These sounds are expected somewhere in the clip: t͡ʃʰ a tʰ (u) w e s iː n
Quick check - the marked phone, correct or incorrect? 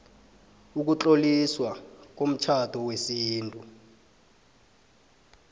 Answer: incorrect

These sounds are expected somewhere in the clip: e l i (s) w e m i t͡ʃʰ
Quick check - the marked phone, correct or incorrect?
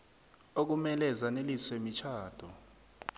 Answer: correct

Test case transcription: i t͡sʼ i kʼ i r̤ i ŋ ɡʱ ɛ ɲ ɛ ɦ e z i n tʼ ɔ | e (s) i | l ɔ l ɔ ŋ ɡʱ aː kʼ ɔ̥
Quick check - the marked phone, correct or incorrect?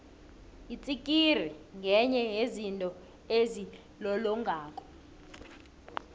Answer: incorrect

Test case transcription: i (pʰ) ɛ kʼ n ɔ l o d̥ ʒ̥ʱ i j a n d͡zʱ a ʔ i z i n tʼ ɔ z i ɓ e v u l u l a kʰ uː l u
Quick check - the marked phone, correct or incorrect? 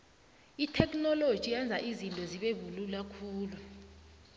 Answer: incorrect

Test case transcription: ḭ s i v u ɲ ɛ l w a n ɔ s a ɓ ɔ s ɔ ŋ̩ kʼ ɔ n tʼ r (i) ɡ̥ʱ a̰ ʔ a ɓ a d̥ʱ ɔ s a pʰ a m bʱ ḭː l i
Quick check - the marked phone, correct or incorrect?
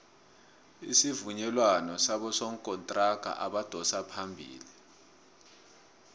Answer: incorrect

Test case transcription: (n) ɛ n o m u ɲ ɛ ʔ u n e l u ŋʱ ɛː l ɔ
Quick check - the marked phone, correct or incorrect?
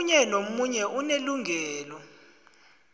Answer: incorrect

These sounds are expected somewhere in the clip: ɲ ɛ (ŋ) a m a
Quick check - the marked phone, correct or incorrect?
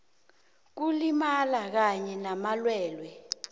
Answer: incorrect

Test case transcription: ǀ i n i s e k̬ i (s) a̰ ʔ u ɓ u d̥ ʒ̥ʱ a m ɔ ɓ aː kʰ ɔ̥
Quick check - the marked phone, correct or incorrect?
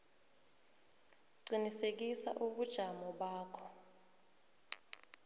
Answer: correct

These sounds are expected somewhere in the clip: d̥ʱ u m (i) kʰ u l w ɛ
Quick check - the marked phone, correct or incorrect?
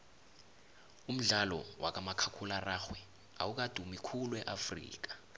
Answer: correct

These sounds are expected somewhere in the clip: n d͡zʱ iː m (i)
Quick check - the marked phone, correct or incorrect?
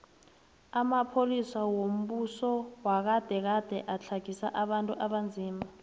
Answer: incorrect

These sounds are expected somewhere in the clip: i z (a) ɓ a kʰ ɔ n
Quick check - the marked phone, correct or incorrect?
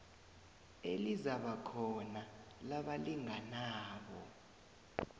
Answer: correct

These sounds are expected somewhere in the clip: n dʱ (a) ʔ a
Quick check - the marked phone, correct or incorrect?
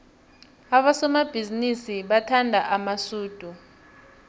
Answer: correct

